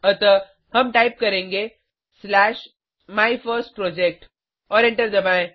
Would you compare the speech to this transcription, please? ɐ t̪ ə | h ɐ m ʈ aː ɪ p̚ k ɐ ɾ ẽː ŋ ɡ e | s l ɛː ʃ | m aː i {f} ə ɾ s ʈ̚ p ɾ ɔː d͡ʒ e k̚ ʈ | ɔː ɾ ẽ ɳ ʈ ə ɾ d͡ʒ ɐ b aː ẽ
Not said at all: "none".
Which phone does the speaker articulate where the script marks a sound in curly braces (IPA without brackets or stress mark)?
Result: f